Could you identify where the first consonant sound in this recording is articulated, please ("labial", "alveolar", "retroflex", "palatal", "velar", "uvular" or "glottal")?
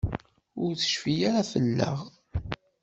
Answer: alveolar